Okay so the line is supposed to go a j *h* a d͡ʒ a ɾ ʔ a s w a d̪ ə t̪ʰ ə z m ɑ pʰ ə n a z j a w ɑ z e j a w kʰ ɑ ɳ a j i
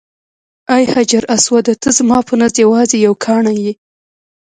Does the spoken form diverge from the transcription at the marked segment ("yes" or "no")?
no